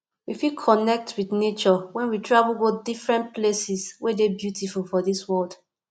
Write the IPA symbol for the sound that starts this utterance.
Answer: w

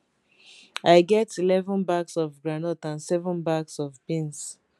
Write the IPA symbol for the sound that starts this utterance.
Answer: a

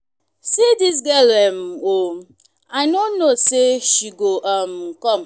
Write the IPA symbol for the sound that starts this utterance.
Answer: s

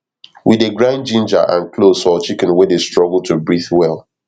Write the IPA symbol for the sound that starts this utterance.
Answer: w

